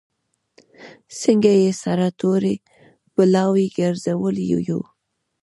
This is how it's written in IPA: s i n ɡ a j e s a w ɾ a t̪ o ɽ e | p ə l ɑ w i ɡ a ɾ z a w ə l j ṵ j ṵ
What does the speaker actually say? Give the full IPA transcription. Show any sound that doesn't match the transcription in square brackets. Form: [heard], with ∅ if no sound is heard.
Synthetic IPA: s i [ŋ] ɡ a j e s a [∅] ɾ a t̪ o [ɾ] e | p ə l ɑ w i ɡ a ɾ z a w ə l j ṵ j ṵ